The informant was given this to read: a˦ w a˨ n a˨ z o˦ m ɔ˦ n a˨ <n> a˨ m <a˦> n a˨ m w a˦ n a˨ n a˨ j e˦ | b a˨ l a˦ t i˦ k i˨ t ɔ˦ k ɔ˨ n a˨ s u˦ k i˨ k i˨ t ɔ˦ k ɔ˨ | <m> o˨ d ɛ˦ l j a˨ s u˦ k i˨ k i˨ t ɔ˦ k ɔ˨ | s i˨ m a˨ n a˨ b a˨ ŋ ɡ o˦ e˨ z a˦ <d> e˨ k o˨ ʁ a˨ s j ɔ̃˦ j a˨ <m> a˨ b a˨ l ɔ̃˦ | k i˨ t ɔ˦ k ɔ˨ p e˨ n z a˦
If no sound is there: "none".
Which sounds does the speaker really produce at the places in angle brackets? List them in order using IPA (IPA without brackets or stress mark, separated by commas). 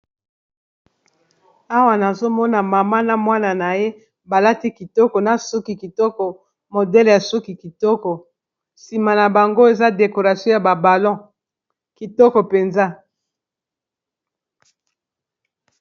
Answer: m, a˦, m, d, b